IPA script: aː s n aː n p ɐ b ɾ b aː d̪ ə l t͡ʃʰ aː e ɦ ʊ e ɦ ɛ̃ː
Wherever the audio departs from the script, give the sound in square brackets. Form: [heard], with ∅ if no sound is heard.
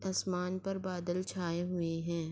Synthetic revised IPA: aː s [m] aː n p ɐ [∅] ɾ b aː d̪ ə l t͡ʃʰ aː e ɦ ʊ e ɦ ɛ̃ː